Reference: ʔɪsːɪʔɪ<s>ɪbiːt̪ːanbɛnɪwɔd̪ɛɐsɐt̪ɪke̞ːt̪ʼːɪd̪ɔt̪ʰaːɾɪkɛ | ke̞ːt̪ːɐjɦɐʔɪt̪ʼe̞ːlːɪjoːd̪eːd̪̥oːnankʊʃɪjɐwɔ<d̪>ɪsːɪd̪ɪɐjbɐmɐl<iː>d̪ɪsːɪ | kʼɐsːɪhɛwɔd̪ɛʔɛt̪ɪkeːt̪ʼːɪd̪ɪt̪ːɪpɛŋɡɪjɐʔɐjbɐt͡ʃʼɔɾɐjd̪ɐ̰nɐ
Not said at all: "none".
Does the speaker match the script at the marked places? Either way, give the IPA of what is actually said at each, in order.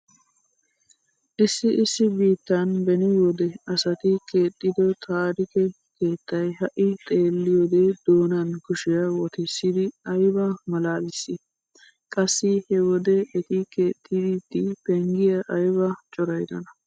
sː, t̪, aː

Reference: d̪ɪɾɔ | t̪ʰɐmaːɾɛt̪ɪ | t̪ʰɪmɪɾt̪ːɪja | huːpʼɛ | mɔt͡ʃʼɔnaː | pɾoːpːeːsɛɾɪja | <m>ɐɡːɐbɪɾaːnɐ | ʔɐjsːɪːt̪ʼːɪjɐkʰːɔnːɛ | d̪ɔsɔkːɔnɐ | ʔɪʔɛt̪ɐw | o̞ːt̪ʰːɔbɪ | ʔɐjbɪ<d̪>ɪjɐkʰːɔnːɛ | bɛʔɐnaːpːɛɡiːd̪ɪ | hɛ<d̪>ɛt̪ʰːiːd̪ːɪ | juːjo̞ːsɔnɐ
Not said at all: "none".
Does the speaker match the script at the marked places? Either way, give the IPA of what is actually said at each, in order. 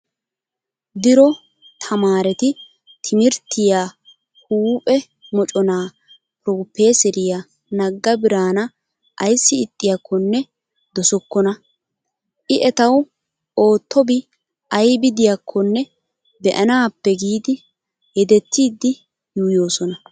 n, d̪, d̪

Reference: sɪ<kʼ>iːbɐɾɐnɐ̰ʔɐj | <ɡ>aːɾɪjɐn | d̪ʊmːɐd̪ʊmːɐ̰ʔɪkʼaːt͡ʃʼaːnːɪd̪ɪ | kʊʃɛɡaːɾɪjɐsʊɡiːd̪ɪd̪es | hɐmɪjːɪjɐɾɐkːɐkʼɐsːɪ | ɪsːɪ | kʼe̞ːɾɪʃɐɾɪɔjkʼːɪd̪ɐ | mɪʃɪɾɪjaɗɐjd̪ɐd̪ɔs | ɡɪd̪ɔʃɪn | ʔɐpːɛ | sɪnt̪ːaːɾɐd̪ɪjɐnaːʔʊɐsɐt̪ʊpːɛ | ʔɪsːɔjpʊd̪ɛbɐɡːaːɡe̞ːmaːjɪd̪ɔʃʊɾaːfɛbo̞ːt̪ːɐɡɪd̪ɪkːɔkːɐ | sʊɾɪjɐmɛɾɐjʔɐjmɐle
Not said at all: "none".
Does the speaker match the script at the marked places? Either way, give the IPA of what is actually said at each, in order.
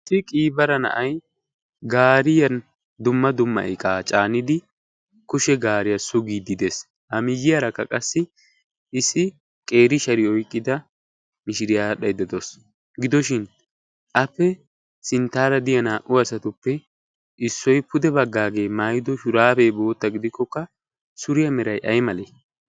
kʼ, ɡ

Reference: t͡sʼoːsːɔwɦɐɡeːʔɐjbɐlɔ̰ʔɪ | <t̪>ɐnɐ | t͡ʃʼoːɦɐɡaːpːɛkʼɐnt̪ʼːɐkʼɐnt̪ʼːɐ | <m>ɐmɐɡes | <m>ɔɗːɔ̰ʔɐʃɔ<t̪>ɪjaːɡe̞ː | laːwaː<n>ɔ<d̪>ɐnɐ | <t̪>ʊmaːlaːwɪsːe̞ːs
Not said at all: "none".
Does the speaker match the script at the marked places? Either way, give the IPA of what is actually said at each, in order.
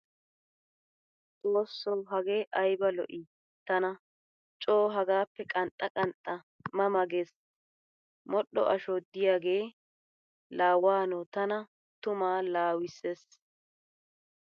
t̪, m, m, d̪, n, t̪, t̪

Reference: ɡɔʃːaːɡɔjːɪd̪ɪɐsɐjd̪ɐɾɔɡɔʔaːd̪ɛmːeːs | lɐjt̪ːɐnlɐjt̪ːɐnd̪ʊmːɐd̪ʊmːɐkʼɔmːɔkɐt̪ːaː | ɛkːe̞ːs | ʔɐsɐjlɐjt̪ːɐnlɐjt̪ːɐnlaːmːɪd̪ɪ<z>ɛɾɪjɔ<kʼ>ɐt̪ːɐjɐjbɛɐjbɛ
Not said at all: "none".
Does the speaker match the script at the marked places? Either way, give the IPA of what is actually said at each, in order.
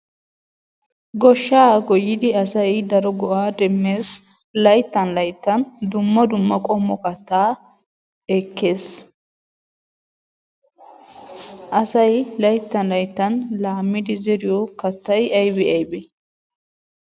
z, k

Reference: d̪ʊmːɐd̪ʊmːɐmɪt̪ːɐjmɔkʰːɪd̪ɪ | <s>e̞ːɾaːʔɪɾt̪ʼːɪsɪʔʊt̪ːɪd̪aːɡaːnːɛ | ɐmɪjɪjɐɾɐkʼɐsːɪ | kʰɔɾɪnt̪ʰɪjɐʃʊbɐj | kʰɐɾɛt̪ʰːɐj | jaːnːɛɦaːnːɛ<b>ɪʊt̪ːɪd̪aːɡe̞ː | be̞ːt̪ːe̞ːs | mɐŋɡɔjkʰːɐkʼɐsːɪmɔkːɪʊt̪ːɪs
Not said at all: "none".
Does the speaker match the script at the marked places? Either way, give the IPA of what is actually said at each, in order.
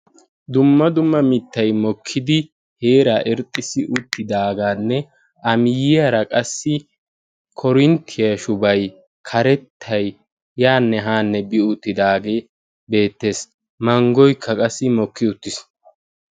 h, b

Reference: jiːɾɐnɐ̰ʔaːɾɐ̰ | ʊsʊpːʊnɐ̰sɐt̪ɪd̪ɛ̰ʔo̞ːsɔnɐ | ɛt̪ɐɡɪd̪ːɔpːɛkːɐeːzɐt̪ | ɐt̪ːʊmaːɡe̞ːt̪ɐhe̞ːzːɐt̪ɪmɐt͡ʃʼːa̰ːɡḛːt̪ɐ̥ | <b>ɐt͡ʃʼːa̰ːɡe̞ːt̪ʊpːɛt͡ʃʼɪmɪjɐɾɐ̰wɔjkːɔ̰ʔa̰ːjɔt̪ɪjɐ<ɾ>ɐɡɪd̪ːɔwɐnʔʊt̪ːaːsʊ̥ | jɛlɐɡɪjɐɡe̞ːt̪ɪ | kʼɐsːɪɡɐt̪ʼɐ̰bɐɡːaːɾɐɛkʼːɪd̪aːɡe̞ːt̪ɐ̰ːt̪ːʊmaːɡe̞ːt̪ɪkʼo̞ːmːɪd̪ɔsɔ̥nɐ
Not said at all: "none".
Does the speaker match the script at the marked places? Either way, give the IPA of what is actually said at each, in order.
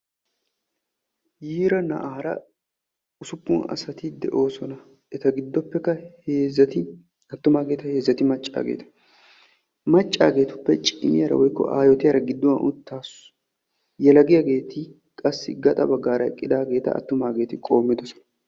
m, ɾ

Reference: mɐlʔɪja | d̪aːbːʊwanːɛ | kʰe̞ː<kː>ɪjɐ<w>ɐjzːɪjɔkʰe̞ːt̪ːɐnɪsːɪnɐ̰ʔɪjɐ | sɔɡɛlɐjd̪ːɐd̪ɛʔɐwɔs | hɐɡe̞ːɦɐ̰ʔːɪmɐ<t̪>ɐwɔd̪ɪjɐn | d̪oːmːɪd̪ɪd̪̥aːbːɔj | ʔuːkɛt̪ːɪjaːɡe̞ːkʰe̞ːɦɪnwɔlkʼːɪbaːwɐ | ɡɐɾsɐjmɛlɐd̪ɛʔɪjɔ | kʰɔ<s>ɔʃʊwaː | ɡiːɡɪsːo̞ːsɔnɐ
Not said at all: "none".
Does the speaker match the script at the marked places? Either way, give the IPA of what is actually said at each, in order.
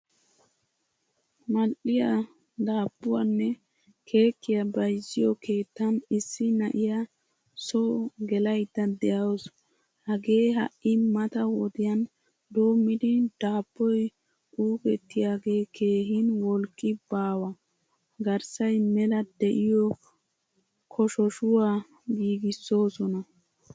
kː, b, t̪, ʃ

